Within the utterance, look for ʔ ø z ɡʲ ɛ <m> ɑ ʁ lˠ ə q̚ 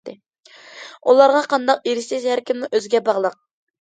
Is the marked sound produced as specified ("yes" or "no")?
no